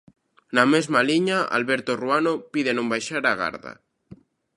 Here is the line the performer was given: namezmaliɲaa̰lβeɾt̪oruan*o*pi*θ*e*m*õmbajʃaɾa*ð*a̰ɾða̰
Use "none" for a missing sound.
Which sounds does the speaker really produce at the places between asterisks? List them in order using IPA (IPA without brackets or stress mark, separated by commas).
o, ð, n, ɣ